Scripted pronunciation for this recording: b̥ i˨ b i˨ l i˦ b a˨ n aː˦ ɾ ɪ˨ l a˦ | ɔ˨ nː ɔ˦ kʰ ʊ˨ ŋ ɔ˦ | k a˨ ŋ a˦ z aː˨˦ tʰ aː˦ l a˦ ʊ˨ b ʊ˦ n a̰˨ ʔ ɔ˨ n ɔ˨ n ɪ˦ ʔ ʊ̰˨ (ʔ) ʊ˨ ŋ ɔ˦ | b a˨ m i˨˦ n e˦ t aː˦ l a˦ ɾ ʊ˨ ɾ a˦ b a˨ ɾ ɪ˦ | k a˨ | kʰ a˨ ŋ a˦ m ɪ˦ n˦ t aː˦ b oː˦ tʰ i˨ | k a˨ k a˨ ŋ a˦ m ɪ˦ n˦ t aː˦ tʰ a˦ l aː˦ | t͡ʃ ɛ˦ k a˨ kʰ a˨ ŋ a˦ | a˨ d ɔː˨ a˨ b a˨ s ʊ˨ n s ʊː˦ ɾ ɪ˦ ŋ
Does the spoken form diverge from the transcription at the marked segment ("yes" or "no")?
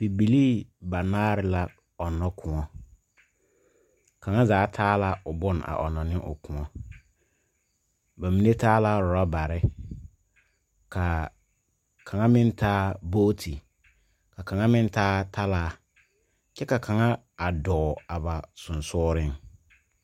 yes